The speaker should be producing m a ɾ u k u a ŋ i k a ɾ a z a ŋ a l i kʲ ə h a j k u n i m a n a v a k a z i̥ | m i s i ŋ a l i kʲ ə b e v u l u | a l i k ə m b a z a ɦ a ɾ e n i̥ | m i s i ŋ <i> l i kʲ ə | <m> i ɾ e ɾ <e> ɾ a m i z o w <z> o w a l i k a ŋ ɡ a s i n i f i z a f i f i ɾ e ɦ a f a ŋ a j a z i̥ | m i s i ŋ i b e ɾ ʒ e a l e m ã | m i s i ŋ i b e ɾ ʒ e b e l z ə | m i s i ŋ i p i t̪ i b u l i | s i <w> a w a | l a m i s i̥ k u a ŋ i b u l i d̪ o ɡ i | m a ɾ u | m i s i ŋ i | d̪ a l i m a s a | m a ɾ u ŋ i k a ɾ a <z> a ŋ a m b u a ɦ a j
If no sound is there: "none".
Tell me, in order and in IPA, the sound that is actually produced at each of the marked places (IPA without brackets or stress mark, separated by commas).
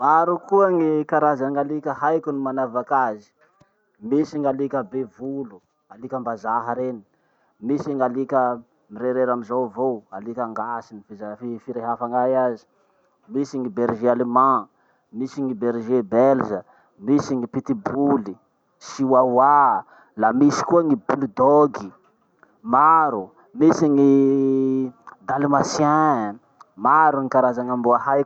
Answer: a, m, e, v, w, z